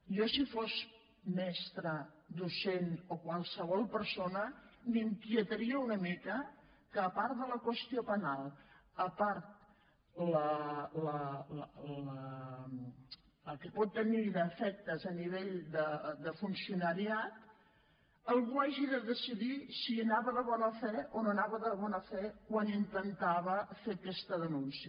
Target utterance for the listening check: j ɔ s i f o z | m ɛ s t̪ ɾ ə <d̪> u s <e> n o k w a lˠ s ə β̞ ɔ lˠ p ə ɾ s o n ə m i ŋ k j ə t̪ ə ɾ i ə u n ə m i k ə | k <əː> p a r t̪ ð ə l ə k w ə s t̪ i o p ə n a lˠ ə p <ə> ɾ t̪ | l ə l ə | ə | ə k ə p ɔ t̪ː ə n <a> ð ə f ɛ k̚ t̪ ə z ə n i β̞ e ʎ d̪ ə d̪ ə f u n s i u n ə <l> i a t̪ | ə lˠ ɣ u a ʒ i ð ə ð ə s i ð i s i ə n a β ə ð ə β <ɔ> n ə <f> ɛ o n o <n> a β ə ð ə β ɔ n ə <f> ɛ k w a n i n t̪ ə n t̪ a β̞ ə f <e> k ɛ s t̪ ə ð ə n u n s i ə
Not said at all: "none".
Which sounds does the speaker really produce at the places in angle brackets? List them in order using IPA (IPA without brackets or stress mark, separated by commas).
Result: d̪, e, əː, a, i, ɾ, ɔ, f, n, f, e